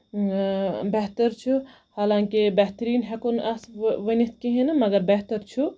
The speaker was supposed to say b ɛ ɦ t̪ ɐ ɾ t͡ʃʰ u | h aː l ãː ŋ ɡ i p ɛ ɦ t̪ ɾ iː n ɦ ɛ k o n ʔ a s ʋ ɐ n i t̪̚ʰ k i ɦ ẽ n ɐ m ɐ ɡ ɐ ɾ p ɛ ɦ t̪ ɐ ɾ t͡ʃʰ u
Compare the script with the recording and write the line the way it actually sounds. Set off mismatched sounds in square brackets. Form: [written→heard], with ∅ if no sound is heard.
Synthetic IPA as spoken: b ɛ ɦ t̪ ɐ ɾ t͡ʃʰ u | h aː l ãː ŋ [ɡ→k] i [p→b] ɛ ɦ t̪ ɾ iː n ɦ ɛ k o n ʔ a s ʋ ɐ n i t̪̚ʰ k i ɦ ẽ n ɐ m ɐ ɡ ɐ ɾ [p→b] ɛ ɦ t̪ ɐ ɾ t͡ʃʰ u

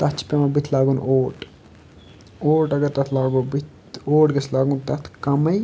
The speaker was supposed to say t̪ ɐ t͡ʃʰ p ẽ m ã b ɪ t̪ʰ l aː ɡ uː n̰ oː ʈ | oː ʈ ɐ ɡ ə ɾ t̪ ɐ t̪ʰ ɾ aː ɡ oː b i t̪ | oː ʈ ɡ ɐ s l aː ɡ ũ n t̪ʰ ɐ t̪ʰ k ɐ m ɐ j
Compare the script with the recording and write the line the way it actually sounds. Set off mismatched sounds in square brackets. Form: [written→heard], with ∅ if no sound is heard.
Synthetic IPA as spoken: t̪ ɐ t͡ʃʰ p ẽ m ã b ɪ t̪ʰ l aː ɡ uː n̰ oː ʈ | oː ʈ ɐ ɡ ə ɾ t̪ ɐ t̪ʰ [ɾ→l] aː ɡ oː b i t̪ | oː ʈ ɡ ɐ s l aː ɡ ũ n [t̪ʰ→t̪] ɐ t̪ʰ k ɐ m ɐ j

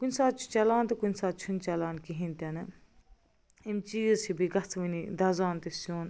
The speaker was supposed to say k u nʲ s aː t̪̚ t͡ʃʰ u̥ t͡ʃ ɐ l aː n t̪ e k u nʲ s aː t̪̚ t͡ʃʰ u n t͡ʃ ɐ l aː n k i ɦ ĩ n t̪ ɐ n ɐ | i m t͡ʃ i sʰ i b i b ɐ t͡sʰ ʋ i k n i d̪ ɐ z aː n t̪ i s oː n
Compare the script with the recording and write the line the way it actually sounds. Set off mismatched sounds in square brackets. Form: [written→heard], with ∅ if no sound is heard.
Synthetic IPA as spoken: k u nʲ s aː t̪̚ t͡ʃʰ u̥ t͡ʃ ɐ l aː n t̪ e k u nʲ s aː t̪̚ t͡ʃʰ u n t͡ʃ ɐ l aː n k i ɦ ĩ n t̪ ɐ n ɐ | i m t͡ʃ i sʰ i b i [b→ɡ] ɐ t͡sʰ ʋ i [k→∅] n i d̪ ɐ z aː n t̪ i s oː n

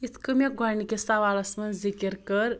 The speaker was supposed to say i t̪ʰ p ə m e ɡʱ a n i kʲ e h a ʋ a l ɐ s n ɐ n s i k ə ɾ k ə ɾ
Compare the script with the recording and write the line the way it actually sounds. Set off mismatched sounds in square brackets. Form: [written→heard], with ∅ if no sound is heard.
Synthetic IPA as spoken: i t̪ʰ [p→k] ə m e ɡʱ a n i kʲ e [h→s] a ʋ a l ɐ s [n→m] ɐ n [s→z] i k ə ɾ k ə ɾ

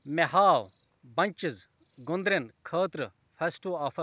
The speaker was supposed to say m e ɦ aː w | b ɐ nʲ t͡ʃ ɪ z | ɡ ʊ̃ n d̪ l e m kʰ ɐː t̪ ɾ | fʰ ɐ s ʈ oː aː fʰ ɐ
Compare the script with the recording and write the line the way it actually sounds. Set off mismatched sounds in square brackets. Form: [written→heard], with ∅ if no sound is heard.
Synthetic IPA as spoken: m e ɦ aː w | b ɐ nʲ t͡ʃ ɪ z | ɡ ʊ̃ n d̪ [l→ɾ] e [m→n] kʰ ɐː t̪ ɾ | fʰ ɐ s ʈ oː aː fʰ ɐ

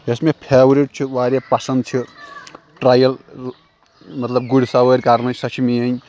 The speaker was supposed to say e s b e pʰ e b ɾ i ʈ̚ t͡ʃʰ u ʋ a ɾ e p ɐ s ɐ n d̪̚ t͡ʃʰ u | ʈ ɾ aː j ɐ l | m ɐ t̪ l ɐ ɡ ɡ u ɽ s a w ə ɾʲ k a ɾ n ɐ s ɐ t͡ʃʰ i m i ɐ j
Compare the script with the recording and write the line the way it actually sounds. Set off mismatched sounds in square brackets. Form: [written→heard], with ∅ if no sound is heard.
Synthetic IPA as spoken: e s [b→m] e pʰ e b ɾ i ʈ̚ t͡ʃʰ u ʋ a ɾ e p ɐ s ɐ n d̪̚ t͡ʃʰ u | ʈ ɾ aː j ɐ l | m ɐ t̪ l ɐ [ɡ→b] ɡ u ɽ s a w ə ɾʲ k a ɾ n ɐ s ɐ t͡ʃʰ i m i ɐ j

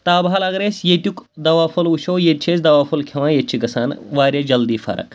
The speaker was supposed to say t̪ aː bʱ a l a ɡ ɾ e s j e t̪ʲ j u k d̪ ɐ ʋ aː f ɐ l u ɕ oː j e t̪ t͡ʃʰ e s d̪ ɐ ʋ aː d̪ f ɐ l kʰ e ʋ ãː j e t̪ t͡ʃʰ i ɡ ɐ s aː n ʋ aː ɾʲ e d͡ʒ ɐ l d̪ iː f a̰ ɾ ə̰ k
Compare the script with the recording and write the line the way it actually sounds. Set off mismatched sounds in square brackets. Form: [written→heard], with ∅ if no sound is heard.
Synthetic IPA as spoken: t̪ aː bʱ a l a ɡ ɾ e s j e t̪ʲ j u k d̪ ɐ ʋ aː f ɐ l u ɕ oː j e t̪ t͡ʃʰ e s d̪ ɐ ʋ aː [d̪→∅] f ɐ l kʰ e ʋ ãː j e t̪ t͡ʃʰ i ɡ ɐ s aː n ʋ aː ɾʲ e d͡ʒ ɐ l d̪ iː f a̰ ɾ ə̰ k

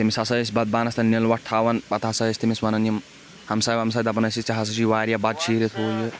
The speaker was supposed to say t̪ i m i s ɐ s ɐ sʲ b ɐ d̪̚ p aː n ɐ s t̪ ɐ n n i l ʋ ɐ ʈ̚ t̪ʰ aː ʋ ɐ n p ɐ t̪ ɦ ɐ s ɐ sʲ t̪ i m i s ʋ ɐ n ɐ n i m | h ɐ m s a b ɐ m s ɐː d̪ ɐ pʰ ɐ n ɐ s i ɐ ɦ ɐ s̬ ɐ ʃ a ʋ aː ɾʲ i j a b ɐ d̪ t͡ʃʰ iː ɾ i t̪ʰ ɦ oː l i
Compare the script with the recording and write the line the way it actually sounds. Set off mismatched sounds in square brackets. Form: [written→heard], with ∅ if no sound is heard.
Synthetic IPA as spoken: t̪ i m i s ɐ s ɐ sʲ b ɐ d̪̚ [p→b] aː n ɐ s t̪ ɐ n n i l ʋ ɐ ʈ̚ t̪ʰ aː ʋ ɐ n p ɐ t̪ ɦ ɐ s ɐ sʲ t̪ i m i s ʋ ɐ n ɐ n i m | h ɐ m s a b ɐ m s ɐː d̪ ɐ [pʰ→p] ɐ n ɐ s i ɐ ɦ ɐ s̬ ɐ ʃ [a→i] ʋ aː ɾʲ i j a b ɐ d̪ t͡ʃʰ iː ɾ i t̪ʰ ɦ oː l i

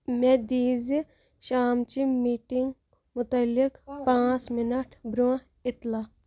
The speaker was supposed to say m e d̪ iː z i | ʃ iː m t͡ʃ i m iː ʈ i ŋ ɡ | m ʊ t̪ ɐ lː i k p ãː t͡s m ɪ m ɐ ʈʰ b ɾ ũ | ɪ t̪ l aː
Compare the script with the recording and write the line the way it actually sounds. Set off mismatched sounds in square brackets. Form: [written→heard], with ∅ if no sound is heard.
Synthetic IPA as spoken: m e d̪ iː z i | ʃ [iː→aː] m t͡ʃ i m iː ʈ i ŋ ɡ | m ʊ t̪ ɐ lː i k p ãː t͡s m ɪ [m→n] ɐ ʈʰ b ɾ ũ | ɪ t̪ l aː

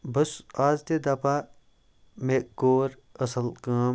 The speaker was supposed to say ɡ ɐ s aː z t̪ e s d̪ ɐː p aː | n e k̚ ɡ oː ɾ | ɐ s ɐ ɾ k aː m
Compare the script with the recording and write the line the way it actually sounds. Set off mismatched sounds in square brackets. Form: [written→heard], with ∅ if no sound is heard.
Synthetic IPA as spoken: [ɡ→b] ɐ s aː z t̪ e [s→∅] d̪ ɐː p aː | [n→m] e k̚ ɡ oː ɾ | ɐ s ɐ [ɾ→l] k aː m

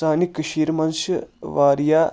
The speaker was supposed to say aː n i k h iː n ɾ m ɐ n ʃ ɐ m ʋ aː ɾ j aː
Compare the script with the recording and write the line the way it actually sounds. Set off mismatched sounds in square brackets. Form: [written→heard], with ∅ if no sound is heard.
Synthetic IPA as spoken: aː n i k [h→ʃ] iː [n→∅] ɾ m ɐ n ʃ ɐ [m→∅] ʋ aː ɾ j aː

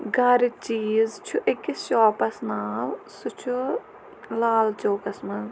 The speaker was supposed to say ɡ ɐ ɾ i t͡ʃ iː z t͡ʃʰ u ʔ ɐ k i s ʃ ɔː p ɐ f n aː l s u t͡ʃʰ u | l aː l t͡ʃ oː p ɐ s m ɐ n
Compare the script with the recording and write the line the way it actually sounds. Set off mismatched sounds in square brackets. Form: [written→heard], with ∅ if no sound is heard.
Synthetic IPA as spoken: ɡ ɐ ɾ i t͡ʃ iː z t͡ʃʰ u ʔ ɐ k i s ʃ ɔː p ɐ [f→s] n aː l s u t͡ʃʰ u | l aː l t͡ʃ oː [p→k] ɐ s m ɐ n

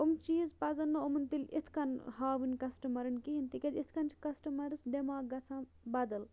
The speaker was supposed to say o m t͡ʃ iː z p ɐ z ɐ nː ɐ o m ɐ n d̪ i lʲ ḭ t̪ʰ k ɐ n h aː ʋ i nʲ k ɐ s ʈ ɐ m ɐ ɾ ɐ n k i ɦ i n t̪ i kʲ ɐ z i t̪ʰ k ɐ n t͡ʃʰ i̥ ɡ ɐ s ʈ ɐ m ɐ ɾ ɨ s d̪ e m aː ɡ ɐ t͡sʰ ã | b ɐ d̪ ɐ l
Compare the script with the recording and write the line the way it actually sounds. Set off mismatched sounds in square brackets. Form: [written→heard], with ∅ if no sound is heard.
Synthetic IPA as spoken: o m t͡ʃ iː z p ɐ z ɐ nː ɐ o m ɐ n [d̪→t̪] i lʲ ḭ t̪ʰ k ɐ n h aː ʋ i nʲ k ɐ s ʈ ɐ m ɐ ɾ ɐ n k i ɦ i n t̪ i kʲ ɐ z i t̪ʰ k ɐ n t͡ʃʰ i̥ [ɡ→k] ɐ s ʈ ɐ m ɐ ɾ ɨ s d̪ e m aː ɡ ɐ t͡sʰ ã | b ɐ d̪ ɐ l

